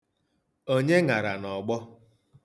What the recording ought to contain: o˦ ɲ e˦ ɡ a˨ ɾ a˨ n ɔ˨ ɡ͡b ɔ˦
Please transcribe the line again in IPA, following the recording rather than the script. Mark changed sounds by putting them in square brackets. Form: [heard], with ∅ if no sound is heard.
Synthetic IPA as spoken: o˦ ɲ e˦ [ŋ] a˨ ɾ a˨ n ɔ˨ ɡ͡b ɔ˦